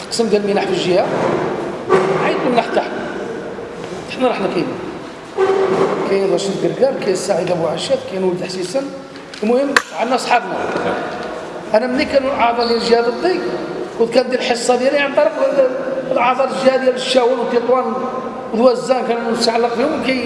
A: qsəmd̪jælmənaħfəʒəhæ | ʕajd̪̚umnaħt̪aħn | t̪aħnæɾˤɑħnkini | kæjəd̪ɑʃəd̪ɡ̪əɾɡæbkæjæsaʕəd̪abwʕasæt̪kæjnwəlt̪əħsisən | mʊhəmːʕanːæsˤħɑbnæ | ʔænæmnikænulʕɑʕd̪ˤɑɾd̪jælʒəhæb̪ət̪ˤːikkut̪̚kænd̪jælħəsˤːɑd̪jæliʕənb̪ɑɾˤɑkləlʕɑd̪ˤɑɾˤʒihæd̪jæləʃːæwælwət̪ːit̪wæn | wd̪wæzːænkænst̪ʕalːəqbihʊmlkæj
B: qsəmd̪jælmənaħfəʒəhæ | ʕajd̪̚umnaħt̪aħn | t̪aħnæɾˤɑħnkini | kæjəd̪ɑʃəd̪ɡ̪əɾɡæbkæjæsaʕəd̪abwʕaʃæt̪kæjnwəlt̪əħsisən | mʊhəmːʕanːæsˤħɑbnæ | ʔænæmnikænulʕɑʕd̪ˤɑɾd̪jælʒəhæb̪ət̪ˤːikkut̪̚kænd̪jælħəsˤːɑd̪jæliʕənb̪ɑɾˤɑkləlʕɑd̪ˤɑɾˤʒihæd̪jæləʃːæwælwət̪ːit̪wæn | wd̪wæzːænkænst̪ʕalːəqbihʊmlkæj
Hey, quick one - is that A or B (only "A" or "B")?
B